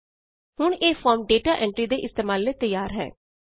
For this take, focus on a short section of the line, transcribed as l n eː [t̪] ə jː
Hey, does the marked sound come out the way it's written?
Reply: yes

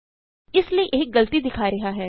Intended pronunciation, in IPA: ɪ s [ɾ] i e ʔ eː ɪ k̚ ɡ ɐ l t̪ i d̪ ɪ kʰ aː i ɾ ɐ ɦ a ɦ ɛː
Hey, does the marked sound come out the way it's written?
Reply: no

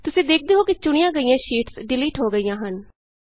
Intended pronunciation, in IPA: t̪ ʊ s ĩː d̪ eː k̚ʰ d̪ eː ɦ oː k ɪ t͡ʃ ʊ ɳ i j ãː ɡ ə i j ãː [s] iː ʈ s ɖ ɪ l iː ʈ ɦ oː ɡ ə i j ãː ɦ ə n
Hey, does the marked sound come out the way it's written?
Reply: no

